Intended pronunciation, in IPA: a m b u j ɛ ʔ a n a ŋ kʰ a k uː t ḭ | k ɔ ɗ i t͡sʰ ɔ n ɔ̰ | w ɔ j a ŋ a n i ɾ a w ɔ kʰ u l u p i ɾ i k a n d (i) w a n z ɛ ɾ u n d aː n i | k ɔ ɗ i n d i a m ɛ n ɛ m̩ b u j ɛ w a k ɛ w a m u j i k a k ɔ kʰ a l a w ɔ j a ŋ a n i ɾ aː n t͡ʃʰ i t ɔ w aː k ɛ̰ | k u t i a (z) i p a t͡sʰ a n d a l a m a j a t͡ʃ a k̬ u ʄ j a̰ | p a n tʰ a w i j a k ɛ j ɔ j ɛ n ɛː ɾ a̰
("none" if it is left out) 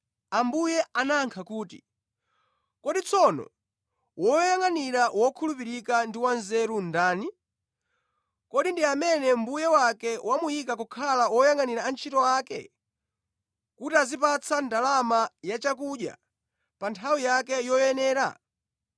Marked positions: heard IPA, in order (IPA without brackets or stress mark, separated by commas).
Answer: i, z